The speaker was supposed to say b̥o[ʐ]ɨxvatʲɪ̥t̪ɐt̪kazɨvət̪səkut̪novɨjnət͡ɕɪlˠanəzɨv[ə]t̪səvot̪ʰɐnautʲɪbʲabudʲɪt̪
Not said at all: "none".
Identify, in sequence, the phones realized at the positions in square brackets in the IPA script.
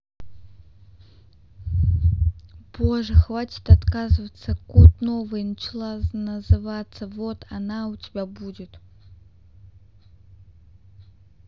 ʐ, a

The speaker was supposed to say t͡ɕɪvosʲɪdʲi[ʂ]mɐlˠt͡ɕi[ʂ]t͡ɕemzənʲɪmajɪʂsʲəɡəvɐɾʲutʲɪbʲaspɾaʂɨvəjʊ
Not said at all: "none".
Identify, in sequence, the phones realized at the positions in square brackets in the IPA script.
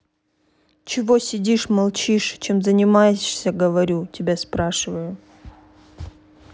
ʂ, ʂ

